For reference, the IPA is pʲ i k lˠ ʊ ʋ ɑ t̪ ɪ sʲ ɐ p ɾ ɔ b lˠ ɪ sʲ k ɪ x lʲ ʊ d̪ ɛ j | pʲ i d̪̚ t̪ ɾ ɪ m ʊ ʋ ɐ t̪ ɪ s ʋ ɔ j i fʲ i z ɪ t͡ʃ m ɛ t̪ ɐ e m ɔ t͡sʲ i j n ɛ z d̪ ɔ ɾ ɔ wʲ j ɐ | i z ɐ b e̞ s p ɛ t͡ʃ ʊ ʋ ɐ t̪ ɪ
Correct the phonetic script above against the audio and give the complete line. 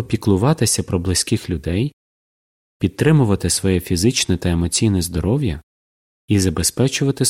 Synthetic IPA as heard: pʲ i k lˠ ʊ ʋ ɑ t̪ ɪ sʲ ɐ p ɾ ɔ b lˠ ɪ sʲ k ɪ x lʲ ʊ d̪ ɛ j | pʲ i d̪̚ t̪ ɾ ɪ m ʊ ʋ ɐ t̪ ɪ s ʋ ɔ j ɛ fʲ i z ɪ t͡ʃ n ɛ t̪ ɐ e m ɔ t͡sʲ i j n ɛ z d̪ ɔ ɾ ɔ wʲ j ɐ | i z ɐ b e̞ s p ɛ t͡ʃ ʊ ʋ ɐ t̪ ɪ